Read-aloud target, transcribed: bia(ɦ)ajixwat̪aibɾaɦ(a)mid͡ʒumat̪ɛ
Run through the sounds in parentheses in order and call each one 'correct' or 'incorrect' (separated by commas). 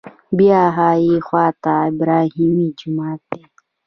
correct, incorrect